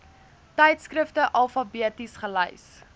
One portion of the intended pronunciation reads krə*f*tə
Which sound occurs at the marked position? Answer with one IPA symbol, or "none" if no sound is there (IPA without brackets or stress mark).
f